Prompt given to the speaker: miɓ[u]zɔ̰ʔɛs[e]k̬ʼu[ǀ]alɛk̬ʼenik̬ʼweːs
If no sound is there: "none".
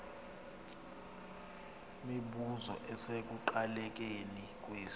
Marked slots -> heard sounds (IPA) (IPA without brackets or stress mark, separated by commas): u, e, ǃ